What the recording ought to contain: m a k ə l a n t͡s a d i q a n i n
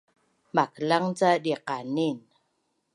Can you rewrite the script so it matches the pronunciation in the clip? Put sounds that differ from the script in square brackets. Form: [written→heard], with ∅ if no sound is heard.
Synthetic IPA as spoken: m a k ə l a [n→ŋ] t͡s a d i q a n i n